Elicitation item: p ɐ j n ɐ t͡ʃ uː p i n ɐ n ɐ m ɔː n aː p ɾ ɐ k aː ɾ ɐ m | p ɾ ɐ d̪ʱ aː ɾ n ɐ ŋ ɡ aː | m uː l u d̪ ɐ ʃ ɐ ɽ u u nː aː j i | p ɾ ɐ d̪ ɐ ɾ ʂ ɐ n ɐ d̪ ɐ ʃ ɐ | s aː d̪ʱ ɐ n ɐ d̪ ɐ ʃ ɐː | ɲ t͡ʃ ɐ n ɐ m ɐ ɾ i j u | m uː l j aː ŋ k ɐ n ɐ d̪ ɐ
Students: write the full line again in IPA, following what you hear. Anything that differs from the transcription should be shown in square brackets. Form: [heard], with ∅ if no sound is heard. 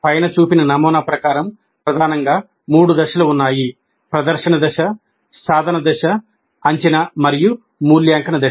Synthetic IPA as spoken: p ɐ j n ɐ t͡ʃ uː p i n ɐ n ɐ m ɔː n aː p ɾ ɐ k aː ɾ ɐ m | p ɾ ɐ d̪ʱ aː [∅] n ɐ ŋ ɡ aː | m uː [ɽ] u d̪ ɐ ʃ ɐ [l] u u nː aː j i | p ɾ ɐ d̪ ɐ ɾ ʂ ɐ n ɐ d̪ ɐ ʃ ɐ | s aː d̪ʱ ɐ n ɐ d̪ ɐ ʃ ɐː | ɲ t͡ʃ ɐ n ɐ m ɐ ɾ i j u | m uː l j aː ŋ k ɐ n ɐ d̪ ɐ